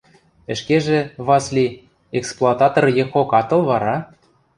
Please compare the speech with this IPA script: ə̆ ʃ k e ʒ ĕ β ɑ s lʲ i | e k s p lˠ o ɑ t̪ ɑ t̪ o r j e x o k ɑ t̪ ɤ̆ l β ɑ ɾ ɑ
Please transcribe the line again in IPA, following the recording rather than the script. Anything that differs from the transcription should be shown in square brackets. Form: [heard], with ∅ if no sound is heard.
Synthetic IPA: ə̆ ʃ k e ʒ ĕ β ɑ s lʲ i | e k s p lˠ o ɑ t̪ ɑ t̪ o r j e x o k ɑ t̪ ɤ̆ l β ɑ ɾ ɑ